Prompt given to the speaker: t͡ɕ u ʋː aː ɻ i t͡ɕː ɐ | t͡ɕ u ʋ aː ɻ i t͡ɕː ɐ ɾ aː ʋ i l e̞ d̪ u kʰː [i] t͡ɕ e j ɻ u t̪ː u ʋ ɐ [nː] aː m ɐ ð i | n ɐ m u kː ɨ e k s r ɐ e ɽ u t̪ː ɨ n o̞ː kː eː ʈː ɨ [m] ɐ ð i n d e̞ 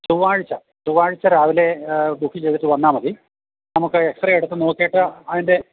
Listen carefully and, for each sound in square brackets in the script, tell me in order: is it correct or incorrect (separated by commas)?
correct, correct, incorrect